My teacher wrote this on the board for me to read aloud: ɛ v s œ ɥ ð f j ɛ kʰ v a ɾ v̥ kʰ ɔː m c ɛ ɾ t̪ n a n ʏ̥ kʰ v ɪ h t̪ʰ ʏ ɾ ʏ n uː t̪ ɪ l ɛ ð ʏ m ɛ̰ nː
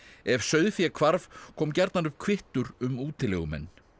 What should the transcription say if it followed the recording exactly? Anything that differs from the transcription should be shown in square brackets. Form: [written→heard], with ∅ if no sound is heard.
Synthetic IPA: ɛ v s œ ɥ ð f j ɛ kʰ v a ɾ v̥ kʰ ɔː m c ɛ ɾ t̪ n a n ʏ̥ kʰ v ɪ h [t̪ʰ→t̪] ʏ ɾ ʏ [n→m] uː t̪ ɪ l ɛ [ð→ɣ] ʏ m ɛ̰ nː